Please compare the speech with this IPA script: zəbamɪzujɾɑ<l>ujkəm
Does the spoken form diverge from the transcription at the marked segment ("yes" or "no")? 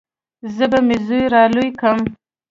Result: no